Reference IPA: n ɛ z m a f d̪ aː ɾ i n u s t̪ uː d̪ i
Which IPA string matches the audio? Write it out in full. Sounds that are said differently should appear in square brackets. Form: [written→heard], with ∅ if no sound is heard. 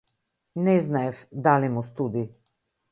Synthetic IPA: n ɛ z [m→n] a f d̪ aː [ɾ→l] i [n→m] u s t̪ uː d̪ i